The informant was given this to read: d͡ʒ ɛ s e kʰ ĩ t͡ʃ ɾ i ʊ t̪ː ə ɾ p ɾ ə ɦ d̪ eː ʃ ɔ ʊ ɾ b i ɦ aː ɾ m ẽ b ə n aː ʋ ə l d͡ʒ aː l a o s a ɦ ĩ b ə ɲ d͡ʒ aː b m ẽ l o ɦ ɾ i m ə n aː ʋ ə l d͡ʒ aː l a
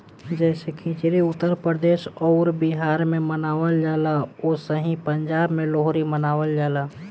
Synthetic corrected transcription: d͡ʒ ɛ s e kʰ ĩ t͡ʃ ɾ i ʊ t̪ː ə ɾ p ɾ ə d̪ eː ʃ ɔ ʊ ɾ b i ɦ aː ɾ m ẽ m ə n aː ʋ ə l d͡ʒ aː l a o s ə ɦ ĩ p ə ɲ d͡ʒ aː b m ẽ l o ɦ ɾ i m ə n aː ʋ ə l d͡ʒ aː l a

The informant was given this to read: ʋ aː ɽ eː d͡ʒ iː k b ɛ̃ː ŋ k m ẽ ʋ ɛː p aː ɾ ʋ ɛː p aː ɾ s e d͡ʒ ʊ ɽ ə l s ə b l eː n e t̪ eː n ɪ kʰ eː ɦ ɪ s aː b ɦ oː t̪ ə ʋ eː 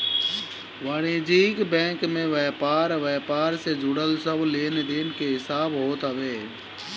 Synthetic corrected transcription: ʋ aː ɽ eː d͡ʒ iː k b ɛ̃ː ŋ k m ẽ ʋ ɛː p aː ɾ ʋ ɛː p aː ɾ s e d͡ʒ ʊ ɽ ə l s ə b l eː n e d̪ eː n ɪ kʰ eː ɦ ɪ s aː b ɦ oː t̪ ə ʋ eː

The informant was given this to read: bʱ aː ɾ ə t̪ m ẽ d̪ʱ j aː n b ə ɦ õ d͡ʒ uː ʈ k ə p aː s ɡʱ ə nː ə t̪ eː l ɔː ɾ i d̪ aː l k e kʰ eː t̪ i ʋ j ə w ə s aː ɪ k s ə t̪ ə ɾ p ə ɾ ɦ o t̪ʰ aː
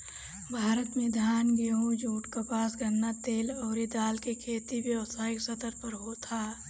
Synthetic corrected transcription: bʱ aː ɾ ə t̪ m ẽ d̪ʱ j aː n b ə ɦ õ d͡ʒ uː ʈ k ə p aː s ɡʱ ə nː a t̪ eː l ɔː ɾ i d̪ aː l k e kʰ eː t̪ i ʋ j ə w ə s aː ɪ k s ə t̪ ə ɾ p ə ɾ ɦ o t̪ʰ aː

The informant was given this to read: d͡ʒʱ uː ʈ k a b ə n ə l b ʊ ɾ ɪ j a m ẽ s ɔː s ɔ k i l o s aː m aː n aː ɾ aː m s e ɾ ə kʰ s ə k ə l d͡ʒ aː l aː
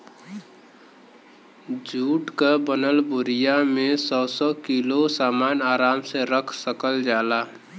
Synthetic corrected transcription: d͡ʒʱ uː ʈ k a b ə n ə l b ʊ ɾ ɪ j a m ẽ s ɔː s ɔ k i l o s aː m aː n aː ɾ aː m s e ɾ ə kʰ s ə k ə l d͡ʒ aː l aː

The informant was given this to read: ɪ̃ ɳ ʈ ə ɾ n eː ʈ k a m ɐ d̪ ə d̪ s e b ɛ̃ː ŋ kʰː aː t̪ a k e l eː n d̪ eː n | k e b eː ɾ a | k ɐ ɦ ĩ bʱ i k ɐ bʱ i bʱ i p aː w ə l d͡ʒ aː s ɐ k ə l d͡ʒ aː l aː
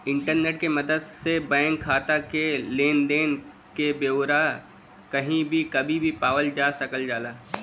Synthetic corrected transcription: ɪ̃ ɳ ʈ ə ɾ n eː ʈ k e m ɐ d̪ ə d̪ s e b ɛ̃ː ŋ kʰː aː t̪ a k e l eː n d̪ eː n | k e b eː ɾ a | k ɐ ɦ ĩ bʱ i k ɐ bʱ i bʱ i p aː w ə l d͡ʒ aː s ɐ k ə l d͡ʒ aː l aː

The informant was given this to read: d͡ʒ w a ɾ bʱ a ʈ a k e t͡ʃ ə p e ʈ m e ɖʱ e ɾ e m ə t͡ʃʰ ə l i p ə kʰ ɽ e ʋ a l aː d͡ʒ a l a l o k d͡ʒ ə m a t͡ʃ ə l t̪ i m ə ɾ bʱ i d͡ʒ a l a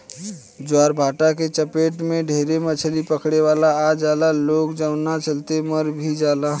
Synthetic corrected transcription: d͡ʒ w a ɾ bʱ a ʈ a k e t͡ʃ ə p e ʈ m e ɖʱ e ɾ e m ə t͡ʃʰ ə l i p ə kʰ ɽ e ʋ a l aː d͡ʒ a l a l o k d͡ʒ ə n a t͡ʃ ə l t̪ e m ə ɾ bʱ i d͡ʒ a l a

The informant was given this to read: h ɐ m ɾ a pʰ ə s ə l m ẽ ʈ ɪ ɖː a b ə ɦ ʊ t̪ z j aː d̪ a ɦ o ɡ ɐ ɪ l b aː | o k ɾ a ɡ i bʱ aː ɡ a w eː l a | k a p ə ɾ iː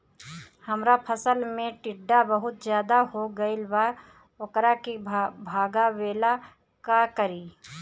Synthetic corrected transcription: h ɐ m ɾ a pʰ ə s ə l m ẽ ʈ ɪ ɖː a b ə ɦ ʊ t̪ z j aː d̪ a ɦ o ɡ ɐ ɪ l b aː | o k ɾ a k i bʱ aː ɡ a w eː l a | k a k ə ɾ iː

